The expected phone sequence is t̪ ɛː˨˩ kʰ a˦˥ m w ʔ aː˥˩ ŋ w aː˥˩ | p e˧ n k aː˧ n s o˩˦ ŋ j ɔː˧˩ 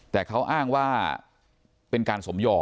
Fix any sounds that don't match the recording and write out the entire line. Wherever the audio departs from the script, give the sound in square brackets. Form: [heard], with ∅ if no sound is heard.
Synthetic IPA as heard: t̪ ɛː˨˩ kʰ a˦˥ [∅] w ʔ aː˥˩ ŋ w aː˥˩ | p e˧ n k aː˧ n s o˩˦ [m] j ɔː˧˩